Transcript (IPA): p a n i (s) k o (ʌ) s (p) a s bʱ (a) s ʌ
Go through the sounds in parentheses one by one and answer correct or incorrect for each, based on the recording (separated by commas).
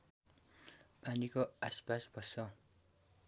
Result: incorrect, incorrect, correct, incorrect